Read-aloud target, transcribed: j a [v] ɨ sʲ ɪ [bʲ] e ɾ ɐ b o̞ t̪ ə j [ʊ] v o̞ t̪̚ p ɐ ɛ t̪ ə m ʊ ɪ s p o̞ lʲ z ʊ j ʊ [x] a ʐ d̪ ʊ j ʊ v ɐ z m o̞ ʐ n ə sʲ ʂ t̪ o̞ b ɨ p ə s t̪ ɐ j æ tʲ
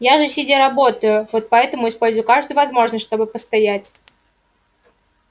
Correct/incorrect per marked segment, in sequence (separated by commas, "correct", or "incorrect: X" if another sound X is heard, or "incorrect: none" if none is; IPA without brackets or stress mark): incorrect: ʐ, incorrect: dʲ, correct, incorrect: k